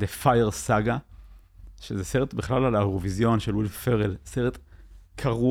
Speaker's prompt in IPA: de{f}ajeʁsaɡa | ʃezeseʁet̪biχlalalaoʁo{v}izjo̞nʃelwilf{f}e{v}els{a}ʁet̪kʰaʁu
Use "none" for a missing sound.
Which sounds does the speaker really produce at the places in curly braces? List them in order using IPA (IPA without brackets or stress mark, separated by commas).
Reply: f, v, f, ʁ, e